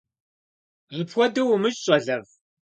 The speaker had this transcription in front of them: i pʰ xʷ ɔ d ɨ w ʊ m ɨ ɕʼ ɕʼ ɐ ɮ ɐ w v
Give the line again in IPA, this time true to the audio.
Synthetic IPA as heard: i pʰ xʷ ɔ d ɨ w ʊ m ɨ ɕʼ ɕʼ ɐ ɮ ɐ v